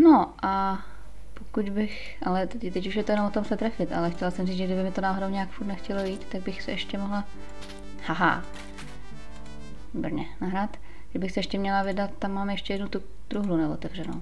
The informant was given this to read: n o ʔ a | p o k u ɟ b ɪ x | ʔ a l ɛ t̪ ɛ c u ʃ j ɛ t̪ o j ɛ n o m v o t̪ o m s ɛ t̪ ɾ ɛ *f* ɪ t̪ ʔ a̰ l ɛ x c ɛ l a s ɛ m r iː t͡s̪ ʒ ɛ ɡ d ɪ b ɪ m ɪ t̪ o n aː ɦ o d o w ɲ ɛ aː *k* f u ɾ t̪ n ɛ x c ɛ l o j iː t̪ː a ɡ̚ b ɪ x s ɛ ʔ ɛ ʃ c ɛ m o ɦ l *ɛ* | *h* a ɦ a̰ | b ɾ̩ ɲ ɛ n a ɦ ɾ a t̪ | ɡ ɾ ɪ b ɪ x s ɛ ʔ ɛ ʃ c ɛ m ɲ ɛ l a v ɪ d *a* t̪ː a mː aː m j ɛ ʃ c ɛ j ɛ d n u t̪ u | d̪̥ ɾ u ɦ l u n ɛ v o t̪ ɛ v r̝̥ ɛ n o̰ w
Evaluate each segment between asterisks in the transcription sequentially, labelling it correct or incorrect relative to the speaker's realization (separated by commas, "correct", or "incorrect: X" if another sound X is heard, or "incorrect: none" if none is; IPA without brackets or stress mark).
correct, correct, incorrect: a, correct, correct